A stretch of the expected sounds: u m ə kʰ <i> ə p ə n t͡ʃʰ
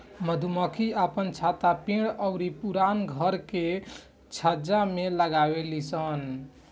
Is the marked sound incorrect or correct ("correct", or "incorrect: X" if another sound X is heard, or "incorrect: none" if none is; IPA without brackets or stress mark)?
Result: correct